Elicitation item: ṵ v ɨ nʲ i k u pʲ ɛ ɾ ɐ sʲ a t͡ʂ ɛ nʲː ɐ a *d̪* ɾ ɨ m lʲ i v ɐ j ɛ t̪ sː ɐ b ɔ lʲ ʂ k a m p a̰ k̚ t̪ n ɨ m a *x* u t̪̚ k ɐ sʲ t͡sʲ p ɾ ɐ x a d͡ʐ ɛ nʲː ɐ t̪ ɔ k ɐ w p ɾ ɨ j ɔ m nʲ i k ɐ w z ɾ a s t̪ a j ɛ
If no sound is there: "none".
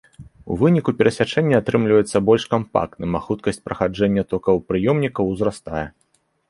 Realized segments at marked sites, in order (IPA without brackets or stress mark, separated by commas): t̪, x